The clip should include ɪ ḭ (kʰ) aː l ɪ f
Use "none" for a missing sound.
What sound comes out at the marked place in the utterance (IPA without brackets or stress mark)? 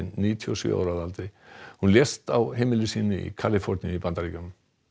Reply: kʰ